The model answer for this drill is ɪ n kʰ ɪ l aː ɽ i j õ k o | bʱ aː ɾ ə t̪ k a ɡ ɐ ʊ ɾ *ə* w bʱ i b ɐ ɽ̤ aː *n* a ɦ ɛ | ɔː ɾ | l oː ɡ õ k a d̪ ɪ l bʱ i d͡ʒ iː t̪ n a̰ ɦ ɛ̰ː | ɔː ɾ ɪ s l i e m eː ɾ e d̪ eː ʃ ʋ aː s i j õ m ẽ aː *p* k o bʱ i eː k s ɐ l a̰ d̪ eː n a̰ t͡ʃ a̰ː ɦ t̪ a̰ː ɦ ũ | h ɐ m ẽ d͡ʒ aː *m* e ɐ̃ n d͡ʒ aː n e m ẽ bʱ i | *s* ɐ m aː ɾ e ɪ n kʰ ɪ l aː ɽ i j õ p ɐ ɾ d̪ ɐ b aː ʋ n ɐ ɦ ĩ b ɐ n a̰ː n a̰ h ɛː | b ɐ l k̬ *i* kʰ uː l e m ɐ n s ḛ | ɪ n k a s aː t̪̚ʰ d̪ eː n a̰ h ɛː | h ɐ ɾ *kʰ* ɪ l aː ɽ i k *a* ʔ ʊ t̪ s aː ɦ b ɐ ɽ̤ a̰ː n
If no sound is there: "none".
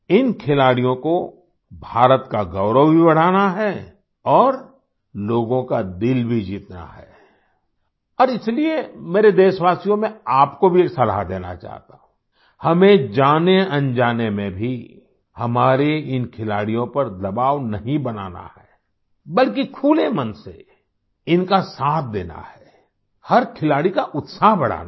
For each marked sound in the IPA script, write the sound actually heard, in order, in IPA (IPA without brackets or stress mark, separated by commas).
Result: ə, n, p, n, h, i, kʰ, a